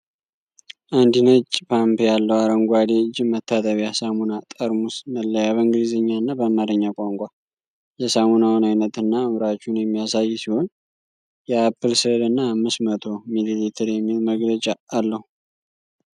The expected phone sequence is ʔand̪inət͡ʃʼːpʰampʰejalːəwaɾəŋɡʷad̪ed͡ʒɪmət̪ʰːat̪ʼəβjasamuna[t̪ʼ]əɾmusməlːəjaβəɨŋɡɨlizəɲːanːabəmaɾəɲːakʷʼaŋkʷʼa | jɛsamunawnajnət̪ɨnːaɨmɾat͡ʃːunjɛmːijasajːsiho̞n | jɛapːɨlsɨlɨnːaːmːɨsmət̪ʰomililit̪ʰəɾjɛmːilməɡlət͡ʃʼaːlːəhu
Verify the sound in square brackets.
correct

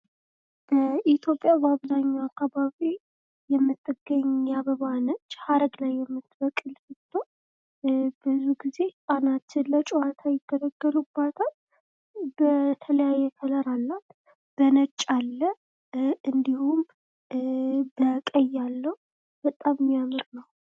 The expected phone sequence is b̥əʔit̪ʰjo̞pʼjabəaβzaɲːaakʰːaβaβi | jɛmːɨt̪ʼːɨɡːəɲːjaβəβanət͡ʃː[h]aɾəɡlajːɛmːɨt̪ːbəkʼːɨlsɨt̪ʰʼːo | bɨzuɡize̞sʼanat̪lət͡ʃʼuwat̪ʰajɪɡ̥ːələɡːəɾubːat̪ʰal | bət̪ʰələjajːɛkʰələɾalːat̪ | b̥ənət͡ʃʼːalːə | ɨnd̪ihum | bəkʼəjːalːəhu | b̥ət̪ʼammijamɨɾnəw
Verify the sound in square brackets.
correct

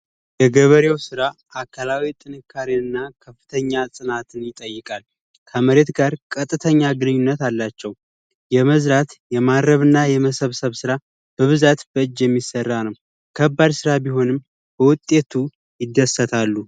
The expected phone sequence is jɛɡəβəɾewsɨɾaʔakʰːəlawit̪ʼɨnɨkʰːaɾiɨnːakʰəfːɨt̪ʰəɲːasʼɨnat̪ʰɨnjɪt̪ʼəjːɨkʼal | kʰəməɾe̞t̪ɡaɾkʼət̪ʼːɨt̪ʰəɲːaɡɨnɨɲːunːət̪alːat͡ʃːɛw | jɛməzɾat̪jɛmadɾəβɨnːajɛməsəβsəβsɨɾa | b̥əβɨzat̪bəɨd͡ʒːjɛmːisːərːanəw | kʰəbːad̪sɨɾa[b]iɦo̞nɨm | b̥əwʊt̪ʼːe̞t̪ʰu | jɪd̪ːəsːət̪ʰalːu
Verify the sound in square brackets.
correct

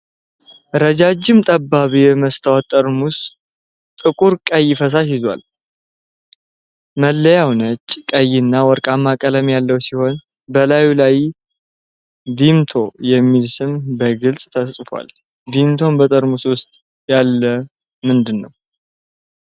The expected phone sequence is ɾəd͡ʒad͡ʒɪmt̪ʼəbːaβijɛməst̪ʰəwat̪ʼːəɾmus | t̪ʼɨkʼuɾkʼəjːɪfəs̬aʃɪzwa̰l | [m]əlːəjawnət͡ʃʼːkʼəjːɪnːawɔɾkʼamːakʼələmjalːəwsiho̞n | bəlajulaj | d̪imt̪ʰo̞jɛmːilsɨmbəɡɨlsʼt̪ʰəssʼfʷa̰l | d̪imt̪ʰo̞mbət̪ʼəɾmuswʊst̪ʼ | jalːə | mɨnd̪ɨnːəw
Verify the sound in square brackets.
correct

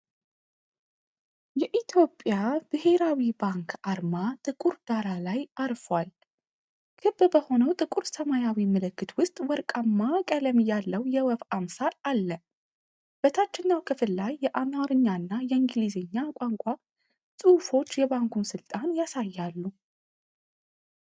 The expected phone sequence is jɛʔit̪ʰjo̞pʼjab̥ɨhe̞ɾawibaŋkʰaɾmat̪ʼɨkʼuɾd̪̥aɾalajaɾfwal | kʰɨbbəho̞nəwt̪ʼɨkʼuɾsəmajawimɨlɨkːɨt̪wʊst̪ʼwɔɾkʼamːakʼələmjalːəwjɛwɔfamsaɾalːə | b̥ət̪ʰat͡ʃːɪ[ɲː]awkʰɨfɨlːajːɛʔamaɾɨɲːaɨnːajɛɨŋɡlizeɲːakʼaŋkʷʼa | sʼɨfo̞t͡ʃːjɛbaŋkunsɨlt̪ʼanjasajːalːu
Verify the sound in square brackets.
incorrect: nː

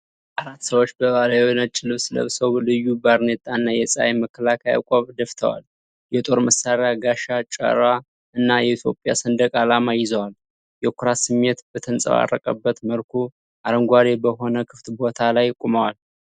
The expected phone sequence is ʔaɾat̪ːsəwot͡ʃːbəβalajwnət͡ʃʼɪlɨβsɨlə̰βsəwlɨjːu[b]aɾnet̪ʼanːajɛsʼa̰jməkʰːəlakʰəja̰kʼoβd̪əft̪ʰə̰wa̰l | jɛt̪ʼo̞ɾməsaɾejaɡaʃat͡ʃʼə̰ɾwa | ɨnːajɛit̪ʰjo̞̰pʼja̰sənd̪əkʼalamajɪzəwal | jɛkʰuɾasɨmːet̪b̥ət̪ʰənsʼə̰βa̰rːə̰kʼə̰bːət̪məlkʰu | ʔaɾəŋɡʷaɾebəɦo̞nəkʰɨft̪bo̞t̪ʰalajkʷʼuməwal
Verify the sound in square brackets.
correct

